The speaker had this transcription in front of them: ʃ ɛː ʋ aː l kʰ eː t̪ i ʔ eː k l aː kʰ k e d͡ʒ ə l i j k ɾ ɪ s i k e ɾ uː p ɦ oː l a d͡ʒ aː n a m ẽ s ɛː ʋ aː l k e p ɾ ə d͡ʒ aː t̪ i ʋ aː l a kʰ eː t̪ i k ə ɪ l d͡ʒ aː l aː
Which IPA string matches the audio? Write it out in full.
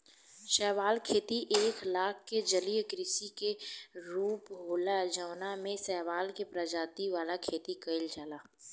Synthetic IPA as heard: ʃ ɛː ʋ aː l kʰ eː t̪ i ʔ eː k l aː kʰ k e d͡ʒ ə l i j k ɾ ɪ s i k e ɾ uː p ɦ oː l a d͡ʒ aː n a m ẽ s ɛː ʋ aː l k e p ɾ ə d͡ʒ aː t̪ i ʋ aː l a kʰ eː t̪ i k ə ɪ l d͡ʒ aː l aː